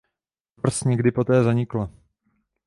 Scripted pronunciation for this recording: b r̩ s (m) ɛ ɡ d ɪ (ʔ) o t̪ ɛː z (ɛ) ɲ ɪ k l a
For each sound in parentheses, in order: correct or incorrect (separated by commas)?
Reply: incorrect, incorrect, incorrect